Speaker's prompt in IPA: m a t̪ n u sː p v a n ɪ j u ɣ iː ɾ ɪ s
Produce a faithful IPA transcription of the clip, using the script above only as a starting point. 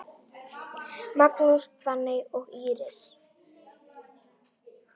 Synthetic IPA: m a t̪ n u s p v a n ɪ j ɔ ɣ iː ɾ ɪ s